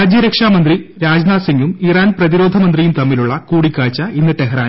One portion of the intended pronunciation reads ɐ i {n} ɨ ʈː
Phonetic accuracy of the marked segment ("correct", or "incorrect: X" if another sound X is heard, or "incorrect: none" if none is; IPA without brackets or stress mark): incorrect: nː